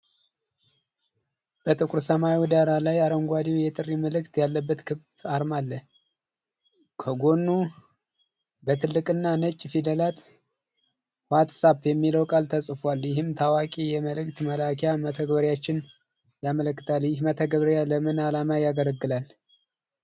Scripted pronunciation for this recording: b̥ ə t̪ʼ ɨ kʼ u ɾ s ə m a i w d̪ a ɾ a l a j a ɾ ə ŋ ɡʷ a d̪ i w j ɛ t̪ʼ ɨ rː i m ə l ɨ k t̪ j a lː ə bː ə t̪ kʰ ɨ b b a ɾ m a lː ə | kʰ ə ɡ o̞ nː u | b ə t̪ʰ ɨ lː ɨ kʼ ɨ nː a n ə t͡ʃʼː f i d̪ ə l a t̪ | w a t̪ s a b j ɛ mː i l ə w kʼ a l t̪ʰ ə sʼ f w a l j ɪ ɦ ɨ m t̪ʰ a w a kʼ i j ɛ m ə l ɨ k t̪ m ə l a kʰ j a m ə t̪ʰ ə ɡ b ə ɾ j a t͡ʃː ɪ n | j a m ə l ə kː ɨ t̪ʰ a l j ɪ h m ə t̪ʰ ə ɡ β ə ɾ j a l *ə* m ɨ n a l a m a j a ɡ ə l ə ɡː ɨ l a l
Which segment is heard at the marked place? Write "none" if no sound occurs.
ə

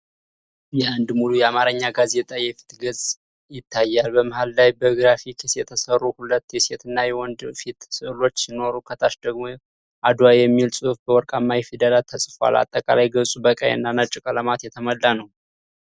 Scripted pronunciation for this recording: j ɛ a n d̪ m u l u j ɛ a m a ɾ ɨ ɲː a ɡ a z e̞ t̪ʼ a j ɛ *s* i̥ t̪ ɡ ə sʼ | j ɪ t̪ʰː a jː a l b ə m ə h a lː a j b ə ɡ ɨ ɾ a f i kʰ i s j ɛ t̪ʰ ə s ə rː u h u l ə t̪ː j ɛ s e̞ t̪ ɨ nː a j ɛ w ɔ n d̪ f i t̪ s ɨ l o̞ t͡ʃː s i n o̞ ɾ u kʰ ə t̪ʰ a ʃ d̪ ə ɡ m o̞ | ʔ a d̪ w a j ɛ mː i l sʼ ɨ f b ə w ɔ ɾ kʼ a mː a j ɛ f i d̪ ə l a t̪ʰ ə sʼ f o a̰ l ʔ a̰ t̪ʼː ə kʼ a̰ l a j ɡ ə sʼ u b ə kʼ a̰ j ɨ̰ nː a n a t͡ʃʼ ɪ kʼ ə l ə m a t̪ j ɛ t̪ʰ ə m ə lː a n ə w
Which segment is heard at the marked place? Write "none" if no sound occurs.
f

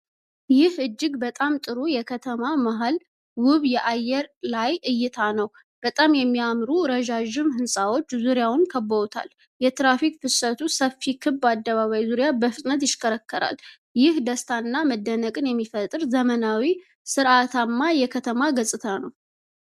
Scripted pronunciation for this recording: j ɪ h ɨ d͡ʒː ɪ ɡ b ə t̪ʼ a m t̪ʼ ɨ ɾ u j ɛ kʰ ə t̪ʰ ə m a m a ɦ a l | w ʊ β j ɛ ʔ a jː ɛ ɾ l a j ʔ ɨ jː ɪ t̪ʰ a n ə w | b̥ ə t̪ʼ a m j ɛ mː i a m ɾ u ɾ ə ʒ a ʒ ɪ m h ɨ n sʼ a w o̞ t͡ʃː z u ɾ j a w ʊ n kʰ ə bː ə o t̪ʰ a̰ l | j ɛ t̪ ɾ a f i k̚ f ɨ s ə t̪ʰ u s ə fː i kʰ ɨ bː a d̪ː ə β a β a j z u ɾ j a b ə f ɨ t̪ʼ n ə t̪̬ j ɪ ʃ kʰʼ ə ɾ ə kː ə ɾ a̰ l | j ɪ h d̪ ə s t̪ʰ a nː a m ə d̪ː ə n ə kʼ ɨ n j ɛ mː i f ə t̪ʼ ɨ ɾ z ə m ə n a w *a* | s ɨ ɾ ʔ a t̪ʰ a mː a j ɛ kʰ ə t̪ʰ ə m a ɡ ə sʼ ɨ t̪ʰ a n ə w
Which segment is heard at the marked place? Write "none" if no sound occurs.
i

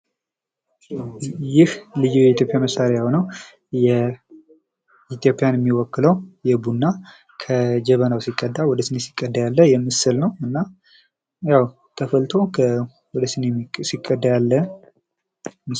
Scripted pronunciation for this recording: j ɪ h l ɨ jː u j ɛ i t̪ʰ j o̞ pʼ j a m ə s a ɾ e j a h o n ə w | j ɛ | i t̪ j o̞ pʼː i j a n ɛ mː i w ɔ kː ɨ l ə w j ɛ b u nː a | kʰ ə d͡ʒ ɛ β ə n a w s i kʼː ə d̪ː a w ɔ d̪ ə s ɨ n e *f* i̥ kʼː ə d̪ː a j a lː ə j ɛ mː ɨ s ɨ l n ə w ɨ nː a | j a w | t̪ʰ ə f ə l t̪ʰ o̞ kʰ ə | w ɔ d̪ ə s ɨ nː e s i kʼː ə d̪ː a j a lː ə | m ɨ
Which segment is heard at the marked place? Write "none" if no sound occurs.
s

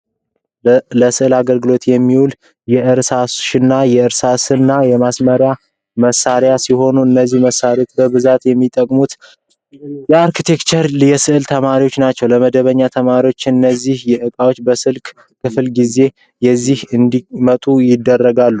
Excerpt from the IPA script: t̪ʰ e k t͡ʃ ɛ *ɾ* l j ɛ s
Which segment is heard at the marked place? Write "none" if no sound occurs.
ɾ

